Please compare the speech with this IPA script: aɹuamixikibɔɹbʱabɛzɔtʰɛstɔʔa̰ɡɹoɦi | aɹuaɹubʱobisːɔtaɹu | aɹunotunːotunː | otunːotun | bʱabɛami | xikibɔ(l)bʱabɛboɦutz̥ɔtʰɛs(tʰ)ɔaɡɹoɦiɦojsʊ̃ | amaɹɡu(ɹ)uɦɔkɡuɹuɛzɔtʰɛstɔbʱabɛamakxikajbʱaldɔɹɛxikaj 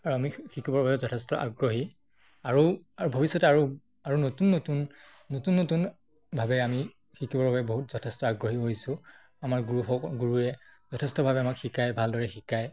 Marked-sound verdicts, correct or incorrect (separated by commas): incorrect, incorrect, correct